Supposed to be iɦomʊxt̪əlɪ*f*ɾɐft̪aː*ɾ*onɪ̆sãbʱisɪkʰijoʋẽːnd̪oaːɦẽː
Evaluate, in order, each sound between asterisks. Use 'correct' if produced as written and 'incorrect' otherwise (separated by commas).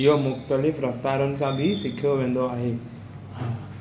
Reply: correct, correct